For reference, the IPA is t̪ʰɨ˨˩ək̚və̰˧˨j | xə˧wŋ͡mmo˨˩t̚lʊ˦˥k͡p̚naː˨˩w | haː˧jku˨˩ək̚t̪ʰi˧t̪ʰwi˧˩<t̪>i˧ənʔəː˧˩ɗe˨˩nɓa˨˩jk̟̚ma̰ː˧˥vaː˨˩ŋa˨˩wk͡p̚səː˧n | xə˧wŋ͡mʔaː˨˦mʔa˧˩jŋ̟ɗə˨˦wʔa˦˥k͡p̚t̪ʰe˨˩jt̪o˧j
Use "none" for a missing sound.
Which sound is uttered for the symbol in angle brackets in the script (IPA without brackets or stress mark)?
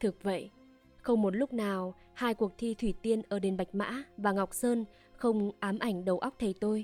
t̪